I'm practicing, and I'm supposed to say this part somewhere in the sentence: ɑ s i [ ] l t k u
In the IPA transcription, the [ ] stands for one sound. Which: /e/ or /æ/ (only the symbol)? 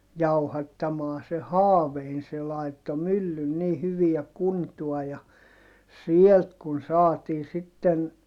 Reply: e